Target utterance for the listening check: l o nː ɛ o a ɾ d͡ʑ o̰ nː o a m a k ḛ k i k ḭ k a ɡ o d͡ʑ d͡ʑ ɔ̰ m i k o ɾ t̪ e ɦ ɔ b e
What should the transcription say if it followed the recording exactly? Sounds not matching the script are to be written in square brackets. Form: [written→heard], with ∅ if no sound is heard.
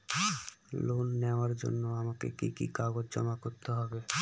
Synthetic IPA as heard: l o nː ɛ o a ɾ d͡ʑ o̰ nː o a m a k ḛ k i k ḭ k a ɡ o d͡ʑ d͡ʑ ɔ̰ m [i→a] k o ɾ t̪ e ɦ ɔ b e